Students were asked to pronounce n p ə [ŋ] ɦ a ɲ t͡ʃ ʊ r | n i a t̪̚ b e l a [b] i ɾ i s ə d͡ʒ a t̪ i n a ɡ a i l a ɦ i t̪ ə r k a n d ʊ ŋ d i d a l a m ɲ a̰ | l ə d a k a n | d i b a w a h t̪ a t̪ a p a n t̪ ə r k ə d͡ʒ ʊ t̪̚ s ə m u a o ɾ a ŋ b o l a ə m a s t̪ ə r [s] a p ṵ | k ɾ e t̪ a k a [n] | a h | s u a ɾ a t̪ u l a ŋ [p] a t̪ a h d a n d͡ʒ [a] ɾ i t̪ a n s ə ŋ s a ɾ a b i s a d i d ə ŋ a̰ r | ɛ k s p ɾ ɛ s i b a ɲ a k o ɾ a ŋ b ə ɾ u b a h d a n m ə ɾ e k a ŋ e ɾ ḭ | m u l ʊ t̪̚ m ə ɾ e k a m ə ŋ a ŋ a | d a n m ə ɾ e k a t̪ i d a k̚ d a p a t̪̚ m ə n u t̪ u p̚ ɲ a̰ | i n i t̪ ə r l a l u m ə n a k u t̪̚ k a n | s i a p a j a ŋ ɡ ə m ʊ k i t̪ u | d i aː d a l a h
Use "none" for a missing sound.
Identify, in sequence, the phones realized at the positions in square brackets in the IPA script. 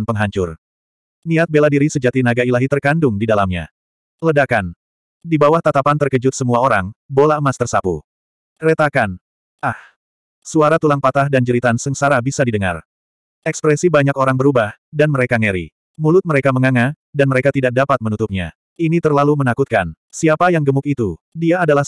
ŋ, d, s, n, p, ə

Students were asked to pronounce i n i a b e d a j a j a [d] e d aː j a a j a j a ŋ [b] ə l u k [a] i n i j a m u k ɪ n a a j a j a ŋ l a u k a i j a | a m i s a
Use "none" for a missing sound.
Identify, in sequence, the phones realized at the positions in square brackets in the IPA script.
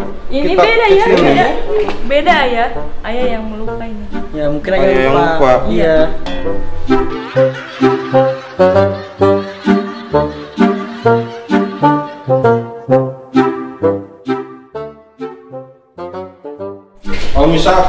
b, m, a

